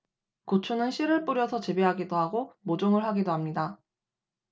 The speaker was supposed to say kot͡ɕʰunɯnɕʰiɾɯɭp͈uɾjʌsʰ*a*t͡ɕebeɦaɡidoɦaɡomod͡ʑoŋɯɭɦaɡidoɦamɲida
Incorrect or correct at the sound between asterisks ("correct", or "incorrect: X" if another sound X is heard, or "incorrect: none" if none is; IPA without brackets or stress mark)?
incorrect: ʌ